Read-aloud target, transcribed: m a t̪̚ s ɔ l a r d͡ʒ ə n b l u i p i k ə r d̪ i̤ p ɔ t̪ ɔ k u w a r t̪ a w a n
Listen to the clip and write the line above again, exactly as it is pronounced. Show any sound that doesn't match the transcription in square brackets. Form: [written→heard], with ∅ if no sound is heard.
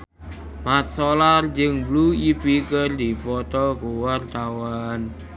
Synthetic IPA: m a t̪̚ s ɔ l a r d͡ʒ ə [n→ŋ] b l u i p i k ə r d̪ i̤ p ɔ t̪ ɔ k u w a r t̪ a w a n